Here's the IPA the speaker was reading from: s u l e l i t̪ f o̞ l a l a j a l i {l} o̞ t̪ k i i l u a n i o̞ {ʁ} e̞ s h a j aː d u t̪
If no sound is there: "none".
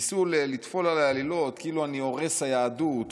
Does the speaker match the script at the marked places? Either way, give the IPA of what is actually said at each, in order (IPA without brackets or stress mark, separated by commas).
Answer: l, ʁ